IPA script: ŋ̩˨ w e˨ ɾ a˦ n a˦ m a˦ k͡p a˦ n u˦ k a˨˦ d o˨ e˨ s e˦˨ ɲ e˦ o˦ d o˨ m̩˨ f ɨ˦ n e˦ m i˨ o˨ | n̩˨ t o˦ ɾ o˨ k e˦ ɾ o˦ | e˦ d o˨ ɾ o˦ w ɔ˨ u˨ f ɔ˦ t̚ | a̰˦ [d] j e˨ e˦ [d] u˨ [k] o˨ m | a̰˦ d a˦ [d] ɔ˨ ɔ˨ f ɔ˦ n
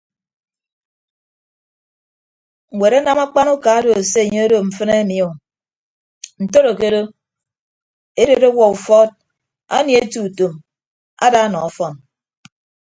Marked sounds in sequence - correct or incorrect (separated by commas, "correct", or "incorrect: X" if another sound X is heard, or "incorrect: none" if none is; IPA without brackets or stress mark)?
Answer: incorrect: n, incorrect: t, incorrect: t, incorrect: n